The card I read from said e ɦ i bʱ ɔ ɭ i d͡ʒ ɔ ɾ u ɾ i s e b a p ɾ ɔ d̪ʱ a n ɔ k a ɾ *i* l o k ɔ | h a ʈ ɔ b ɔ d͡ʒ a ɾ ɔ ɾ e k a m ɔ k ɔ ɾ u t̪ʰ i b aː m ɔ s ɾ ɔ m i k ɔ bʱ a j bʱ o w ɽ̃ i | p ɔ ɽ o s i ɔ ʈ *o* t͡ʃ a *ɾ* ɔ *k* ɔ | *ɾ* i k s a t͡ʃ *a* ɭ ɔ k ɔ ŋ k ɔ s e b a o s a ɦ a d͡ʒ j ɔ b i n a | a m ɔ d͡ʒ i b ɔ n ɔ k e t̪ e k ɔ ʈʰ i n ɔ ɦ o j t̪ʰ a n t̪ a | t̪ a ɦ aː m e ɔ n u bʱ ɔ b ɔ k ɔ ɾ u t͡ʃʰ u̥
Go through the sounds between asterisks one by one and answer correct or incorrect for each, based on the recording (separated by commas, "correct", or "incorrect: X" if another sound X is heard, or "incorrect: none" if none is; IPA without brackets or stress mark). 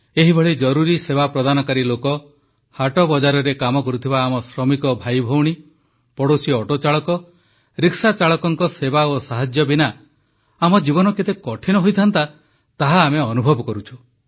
correct, correct, incorrect: ɭ, correct, correct, correct